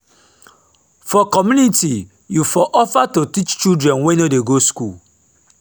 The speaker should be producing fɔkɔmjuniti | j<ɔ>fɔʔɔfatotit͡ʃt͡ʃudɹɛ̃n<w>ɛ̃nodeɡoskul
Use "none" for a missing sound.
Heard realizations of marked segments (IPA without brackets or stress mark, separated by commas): u, w